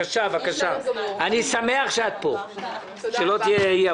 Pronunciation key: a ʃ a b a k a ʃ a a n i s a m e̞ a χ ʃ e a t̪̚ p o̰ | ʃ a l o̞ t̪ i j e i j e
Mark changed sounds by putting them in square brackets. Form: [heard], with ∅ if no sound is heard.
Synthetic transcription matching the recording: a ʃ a [v] a k a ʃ a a n i s a m e̞ a χ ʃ e a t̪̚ p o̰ | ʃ [e] l o̞ t̪ i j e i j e